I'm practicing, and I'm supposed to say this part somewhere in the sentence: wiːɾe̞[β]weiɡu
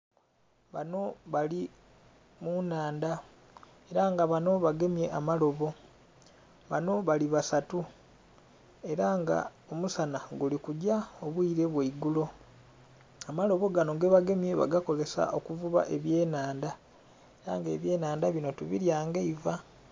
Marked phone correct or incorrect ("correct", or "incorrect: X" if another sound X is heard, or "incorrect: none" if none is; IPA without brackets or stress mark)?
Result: correct